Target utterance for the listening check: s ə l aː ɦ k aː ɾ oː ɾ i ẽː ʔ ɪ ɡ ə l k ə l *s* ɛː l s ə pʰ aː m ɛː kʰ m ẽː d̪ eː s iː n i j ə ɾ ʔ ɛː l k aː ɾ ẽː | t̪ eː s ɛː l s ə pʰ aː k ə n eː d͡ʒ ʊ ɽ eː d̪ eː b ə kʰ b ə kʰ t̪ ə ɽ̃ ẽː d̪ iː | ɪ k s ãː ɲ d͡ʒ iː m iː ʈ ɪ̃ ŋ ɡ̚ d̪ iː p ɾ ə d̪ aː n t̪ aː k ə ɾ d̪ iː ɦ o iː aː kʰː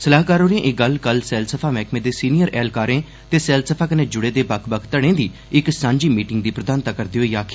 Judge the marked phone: correct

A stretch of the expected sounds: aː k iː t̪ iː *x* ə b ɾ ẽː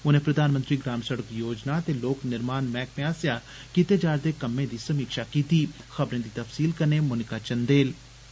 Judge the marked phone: correct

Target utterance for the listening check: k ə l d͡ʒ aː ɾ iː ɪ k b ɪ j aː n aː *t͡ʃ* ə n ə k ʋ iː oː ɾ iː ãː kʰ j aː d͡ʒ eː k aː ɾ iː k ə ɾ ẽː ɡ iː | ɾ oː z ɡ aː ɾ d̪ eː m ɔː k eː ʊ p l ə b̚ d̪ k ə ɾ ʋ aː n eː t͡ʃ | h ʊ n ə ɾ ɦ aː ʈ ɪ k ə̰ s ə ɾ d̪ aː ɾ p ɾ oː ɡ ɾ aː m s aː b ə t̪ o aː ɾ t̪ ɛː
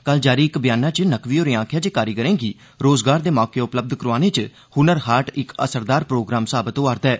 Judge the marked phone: correct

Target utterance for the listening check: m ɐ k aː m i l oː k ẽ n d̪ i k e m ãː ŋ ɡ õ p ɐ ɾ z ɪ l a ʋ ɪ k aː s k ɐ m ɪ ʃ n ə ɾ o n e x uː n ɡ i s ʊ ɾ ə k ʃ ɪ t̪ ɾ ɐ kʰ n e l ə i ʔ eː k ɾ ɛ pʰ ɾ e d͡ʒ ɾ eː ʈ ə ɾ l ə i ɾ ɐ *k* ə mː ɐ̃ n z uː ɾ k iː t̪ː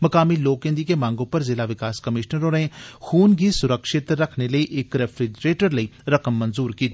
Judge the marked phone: correct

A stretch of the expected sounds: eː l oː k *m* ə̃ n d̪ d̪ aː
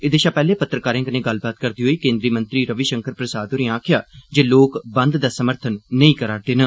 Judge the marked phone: incorrect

